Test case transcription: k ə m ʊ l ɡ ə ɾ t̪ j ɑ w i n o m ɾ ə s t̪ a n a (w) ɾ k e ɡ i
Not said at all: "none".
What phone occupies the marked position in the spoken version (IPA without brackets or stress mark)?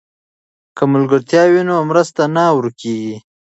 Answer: w